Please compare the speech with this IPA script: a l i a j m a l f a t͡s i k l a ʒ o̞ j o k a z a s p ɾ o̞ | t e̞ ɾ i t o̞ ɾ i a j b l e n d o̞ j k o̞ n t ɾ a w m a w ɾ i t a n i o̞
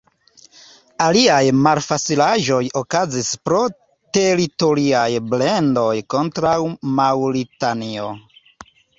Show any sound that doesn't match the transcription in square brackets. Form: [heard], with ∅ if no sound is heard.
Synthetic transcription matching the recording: a l i a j m a l f a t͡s i [∅] l a ʒ o̞ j o k a z [i] s p ɾ o̞ | t e̞ ɾ i t o̞ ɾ i a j b l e n d o̞ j k o̞ n t ɾ a w m a w ɾ i t a n i o̞